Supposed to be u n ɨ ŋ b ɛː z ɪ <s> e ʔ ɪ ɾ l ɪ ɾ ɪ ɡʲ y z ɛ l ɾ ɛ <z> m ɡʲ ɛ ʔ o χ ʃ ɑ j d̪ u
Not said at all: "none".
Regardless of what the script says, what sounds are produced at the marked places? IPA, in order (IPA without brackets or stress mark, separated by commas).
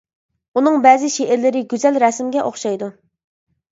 ʃ, s